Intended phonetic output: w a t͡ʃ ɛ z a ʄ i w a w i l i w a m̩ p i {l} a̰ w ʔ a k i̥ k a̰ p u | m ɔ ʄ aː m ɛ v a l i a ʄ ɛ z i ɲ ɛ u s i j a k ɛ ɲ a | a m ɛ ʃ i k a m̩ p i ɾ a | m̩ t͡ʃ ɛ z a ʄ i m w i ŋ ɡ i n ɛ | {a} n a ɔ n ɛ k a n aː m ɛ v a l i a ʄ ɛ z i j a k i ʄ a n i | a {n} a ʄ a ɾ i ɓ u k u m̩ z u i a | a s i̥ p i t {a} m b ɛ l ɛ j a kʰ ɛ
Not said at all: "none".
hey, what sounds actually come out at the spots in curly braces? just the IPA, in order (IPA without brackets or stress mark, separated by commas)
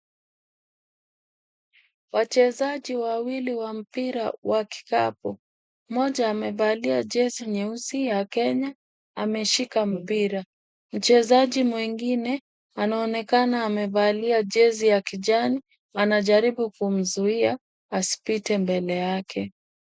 ɾ, a, n, ɛ